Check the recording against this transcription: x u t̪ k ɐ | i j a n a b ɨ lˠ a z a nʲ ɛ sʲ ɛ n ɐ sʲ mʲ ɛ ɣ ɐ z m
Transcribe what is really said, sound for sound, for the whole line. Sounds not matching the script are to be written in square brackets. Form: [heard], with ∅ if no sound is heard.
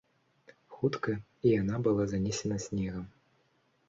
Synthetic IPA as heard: x u t̪ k ɐ | i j a n a b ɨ lˠ a z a nʲ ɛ sʲ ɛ n ɐ sʲ [nʲ] ɛ ɣ ɐ [∅] m